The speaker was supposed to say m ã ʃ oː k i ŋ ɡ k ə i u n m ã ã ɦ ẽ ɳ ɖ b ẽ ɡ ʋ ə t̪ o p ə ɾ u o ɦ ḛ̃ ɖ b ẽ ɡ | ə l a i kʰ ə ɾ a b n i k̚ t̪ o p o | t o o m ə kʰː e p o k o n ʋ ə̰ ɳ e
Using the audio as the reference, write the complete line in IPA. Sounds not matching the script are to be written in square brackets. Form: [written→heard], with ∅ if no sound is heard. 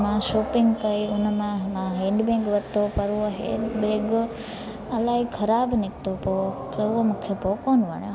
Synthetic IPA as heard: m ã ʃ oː [k→p] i ŋ ɡ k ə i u n m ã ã ɦ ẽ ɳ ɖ b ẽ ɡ ʋ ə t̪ o p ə ɾ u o ɦ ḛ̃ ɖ b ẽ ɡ | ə l a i kʰ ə ɾ a b n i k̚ t̪ o p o | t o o m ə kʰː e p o k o n ʋ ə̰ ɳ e